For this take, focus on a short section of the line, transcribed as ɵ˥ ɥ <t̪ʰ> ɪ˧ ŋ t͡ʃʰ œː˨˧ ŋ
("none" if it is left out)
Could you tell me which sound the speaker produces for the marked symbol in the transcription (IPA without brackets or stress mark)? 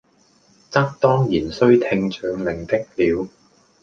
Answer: t̪ʰ